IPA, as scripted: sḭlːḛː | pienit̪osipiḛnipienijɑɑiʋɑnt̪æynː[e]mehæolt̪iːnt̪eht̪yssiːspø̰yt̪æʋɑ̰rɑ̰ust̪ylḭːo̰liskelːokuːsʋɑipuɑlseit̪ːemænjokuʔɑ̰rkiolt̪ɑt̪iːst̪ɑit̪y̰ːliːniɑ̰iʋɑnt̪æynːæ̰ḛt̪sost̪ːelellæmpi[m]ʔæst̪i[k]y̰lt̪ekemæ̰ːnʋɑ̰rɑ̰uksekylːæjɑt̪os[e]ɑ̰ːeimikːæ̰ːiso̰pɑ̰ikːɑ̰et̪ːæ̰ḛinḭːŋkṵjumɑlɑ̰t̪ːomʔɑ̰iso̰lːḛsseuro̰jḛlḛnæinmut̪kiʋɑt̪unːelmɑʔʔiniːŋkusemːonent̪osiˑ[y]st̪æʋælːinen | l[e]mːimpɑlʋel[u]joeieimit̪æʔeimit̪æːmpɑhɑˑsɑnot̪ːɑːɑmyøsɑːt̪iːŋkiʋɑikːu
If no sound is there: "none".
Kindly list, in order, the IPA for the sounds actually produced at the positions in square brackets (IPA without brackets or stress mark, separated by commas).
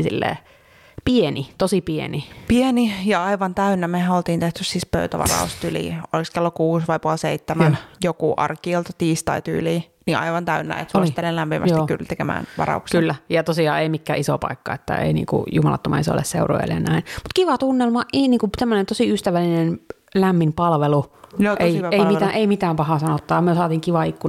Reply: æ, m, k, i, y, æ, u